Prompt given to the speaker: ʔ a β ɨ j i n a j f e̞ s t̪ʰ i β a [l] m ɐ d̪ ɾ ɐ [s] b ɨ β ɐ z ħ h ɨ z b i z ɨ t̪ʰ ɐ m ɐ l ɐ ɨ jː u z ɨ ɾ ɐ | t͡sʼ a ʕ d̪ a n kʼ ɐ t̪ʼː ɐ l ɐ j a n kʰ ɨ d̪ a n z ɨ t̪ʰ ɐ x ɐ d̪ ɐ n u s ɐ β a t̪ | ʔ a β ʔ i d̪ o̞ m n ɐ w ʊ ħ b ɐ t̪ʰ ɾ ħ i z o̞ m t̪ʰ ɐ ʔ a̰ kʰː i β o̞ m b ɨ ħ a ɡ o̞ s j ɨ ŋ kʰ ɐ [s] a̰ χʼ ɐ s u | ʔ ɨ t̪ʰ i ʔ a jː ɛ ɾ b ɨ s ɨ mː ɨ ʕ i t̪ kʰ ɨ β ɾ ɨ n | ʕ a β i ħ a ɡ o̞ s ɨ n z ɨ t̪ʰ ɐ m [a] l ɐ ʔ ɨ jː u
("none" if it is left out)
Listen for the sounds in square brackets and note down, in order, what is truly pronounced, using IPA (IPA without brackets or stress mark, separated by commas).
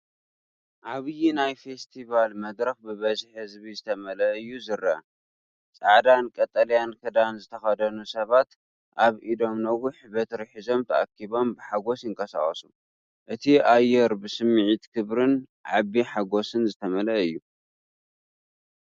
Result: l, x, s, ɐ